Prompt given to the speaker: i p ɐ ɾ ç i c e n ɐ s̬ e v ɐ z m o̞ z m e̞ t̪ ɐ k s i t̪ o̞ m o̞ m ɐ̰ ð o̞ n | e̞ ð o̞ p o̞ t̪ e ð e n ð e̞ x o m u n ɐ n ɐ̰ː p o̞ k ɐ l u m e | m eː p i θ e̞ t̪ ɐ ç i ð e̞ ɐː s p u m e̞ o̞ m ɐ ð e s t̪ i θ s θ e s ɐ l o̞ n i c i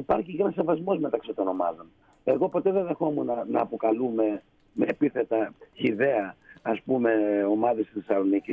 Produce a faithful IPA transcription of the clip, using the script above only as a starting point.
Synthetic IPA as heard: i p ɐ ɾ ç i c e n ɐ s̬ e v ɐ z m o̞ z m e̞ t̪ ɐ k s i t̪ o̞ n o̞ m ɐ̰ ð o̞ n | e̞ ɣ o̞ p o̞ t̪ e ð e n ð e̞ x o m u n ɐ n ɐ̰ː p o̞ k ɐ l u m e | m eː p i θ e̞ t̪ ɐ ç i ð e̞ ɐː s p u m e̞ o̞ m ɐ ð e s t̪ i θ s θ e s ɐ l o̞ n i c i